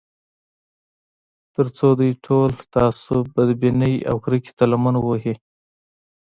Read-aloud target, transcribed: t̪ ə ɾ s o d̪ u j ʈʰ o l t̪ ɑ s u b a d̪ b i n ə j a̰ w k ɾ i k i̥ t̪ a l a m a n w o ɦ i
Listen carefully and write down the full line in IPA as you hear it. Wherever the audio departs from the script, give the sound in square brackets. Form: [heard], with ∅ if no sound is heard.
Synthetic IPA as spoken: t̪ ə ɾ [t͡s] o d̪ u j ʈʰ o l t̪ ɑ s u b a d̪ b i n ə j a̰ w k ɾ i k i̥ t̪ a l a m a n w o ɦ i